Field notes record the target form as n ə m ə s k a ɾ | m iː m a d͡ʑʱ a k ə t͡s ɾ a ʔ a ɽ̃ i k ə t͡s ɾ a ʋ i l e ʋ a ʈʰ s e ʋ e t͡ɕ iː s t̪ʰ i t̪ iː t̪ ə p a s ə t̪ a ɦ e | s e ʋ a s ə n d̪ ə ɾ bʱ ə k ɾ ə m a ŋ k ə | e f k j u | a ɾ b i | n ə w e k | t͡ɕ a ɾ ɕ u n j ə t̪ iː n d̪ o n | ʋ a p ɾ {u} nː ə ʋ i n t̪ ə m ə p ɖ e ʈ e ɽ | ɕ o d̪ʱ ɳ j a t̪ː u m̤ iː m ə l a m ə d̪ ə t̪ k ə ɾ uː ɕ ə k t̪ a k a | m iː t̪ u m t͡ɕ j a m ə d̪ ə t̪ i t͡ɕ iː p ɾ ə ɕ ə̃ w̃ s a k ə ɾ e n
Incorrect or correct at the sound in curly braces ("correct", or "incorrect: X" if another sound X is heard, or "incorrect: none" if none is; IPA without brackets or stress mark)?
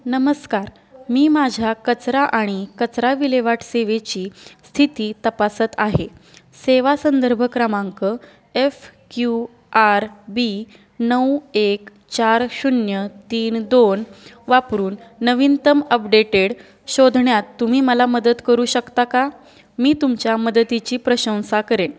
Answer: incorrect: uː